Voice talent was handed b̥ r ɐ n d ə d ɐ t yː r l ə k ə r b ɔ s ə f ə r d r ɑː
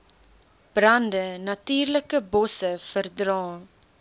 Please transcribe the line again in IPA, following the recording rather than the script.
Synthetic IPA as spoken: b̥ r ɐ n d ə n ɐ t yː r l ə k ə b ɔ s ə f ə r d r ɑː

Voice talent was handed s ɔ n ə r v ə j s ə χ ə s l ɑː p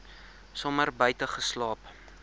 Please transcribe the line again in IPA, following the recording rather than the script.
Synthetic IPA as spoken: s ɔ m ə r b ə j t ə χ ə s l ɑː p

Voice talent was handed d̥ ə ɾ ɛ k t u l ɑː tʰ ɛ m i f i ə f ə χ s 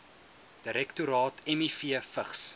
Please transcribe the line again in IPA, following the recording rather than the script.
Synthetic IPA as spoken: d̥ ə ɾ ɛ k t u ɾ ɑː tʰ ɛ m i f i ə f ə χ s

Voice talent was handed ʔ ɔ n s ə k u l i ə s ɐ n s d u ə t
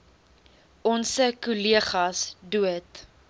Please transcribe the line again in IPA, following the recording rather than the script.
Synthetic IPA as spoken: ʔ ɔ n s ə k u l i ə χ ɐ s d u ə t

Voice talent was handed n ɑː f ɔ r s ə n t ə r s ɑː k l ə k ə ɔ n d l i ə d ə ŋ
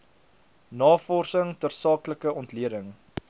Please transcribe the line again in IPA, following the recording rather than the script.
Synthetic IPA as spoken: n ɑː f ɔ r s ə ŋ t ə r s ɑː k l ə k ə ɔ n t l i ə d ə ŋ

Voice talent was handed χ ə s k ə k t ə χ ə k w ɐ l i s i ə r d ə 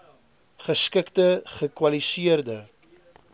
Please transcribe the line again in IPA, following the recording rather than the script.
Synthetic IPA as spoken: χ ə s k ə k t ə χ ə k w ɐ l i s i ə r d ə

